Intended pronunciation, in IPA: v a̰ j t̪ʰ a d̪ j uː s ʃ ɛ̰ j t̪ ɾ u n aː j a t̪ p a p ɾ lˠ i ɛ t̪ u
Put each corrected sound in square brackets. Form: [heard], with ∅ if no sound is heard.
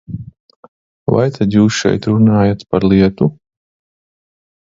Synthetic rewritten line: v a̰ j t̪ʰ a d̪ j uː s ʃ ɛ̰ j t̪ ɾ u n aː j a t̪ p a [∅] ɾ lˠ i ɛ t̪ u